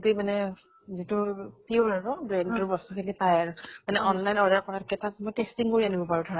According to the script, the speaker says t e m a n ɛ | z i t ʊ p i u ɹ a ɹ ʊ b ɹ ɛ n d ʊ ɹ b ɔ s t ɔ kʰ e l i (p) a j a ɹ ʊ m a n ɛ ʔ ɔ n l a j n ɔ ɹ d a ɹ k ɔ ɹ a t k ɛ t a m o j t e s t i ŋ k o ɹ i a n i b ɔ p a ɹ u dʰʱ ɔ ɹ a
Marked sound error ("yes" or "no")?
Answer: no